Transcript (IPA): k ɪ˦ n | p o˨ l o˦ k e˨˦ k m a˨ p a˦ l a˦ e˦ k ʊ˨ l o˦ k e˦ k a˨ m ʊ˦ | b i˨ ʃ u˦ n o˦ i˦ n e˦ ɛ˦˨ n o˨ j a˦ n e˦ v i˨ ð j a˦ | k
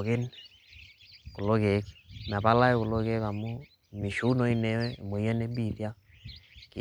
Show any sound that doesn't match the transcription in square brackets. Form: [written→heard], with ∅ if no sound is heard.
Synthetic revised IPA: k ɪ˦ n | [p→k] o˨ l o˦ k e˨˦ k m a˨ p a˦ l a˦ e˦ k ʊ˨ l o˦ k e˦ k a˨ m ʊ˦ | [b→m] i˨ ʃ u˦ n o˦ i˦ n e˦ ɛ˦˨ [n→m] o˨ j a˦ n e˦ [v→b] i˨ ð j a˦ | k